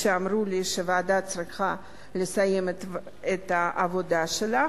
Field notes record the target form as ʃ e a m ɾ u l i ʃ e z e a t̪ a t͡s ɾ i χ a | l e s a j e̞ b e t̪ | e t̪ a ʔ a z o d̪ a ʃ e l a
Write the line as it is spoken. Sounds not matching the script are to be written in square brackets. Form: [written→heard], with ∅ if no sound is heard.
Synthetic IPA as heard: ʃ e a m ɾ u l i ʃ e [z→v] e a [t̪→d̪] a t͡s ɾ i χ a | l e s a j e̞ [b→m] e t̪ | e t̪ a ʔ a [z→v] o d̪ a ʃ e l a

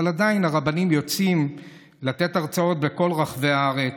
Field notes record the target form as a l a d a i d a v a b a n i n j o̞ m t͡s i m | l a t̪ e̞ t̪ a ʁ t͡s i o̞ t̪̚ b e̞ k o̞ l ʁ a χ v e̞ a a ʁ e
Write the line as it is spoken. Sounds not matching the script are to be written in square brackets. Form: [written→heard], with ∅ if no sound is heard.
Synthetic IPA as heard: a l a d a i [d→n] a [v→ʁ] a b a n i [n→m] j o̞ [m→∅] t͡s i m | l a t̪ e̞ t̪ a ʁ t͡s [i→a] o̞ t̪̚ b e̞ k o̞ l ʁ a χ v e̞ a a ʁ e

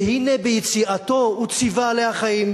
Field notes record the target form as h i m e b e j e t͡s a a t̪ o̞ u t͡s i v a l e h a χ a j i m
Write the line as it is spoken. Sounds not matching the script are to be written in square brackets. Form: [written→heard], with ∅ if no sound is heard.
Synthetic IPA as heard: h i [m→n] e b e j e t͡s [a→i] a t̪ o̞ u t͡s i v a l e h a χ a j i m

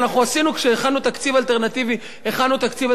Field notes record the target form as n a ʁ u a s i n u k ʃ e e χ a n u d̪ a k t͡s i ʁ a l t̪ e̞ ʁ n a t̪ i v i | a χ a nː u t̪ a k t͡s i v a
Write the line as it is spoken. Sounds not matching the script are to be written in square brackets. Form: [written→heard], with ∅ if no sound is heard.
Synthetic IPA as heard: n a [ʁ→χ] u a s i n u k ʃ e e χ a n u [d̪→t̪] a k t͡s i [ʁ→v] a l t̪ e̞ ʁ n a t̪ i v i | [a→e] χ a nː u t̪ a k t͡s i v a

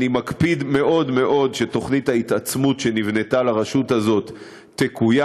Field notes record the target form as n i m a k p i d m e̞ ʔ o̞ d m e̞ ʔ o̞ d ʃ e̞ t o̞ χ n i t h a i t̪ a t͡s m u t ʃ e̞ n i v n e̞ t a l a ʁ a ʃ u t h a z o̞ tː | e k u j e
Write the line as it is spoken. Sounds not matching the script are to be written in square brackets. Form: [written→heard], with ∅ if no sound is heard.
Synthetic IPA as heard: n i m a k p i d m e̞ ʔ o̞ d m e̞ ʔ o̞ d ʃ e̞ t o̞ χ n i t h a i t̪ a t͡s m u t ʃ e̞ n i v n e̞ t a l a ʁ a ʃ u t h a z o̞ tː | e k u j [e→a]

